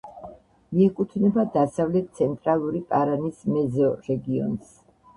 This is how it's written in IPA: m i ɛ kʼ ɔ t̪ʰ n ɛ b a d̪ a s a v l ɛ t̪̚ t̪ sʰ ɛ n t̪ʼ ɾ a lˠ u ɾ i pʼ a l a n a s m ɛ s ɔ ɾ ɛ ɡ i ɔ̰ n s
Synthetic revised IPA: m i ɛ kʼ u t̪ʰ n ɛ b a d̪ a s a v l ɛ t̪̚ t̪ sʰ ɛ n t̪ʼ ɾ a lˠ u ɾ i pʼ a ɾ a n i s m ɛ z ɔ ɾ ɛ ɡ i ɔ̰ n s